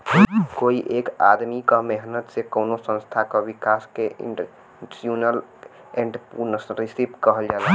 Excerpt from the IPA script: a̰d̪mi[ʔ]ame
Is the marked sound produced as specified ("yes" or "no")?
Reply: no